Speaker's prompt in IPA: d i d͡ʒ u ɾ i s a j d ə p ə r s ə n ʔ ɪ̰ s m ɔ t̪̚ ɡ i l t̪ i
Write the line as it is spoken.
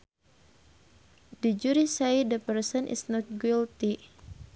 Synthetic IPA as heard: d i d͡ʒ u ɾ i s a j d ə p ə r s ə n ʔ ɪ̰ s n ɔ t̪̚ ɡ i l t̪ i

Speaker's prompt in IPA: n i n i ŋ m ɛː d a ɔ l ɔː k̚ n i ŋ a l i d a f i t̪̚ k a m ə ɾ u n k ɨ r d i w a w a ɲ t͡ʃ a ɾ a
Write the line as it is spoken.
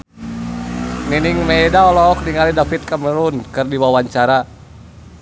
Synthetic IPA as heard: n i n i ŋ m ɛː d a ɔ l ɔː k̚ n i ŋ a l i d a f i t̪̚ k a m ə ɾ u n k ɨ r d i w a w a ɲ t͡ʃ a ɾ a

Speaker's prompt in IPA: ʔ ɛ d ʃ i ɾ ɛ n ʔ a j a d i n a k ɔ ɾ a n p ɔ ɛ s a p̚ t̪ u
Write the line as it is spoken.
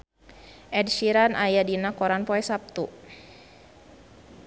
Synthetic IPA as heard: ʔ ɛ d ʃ i ɾ a n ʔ a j a d i n a k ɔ ɾ a n p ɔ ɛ s a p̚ t̪ u

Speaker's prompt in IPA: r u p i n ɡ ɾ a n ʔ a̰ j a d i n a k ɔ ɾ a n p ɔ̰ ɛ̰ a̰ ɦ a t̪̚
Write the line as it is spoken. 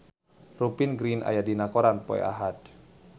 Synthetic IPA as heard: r u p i n ɡ ɾ i n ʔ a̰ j a d i n a k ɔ ɾ a n p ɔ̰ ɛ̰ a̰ ɦ a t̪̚

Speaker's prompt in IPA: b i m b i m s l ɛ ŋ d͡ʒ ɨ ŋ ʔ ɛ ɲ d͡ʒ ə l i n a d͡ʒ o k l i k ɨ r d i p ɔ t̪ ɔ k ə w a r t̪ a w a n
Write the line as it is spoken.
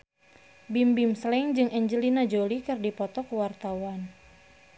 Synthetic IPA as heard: b i m b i m s l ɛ ŋ d͡ʒ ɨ ŋ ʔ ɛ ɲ d͡ʒ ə l i n a d͡ʒ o l i k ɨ r d i p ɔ t̪ ɔ k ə w a r t̪ a w a n

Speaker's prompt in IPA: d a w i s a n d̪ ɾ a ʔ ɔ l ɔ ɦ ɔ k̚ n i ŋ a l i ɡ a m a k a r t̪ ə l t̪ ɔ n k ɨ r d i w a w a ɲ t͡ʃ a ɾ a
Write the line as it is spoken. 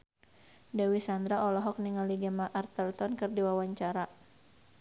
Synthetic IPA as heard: d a w i s a n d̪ ɾ a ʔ ɔ l ɔ ɦ ɔ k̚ n i ŋ a l i ɡ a m a ʔ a r t̪ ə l t̪ ɔ n k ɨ r d i w a w a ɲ t͡ʃ a ɾ a

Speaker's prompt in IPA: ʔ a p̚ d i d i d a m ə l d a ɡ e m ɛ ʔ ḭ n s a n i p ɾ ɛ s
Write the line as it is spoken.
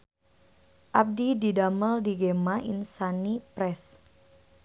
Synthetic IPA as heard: ʔ a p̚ d i d i d a m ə l d i ɡ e m a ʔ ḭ n s a n i p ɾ ɛ s

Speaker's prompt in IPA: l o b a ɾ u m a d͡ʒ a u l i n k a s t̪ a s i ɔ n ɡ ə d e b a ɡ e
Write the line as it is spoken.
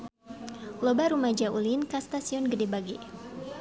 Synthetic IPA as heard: l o b a ɾ u m a d͡ʒ a u l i n k a s t̪ a s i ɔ n ɡ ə d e b a ɡ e

